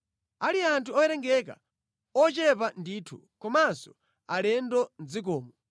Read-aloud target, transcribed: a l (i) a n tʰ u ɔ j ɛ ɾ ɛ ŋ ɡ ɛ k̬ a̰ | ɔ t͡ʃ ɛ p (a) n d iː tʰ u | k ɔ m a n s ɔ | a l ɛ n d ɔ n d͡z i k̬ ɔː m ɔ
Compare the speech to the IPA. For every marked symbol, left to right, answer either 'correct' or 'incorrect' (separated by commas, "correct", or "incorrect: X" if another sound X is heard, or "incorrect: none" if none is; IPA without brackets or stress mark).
correct, correct